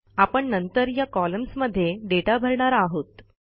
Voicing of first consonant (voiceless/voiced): voiceless